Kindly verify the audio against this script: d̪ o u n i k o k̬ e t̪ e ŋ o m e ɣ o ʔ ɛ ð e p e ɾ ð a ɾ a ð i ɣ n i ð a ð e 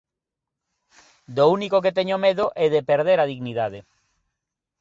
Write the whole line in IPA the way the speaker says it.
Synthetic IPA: d̪ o u n i k o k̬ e t̪ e ɲ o m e ð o ʔ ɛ ð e p e ɾ ð e ɾ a ð i ɣ n i ð a ð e